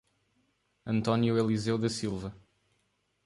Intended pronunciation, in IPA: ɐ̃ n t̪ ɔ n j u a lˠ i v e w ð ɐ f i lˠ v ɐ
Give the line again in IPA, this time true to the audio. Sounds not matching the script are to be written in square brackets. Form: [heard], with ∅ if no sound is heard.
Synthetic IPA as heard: ɐ̃ n t̪ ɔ n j u [e] lˠ i [z] e w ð ɐ [s] i lˠ v ɐ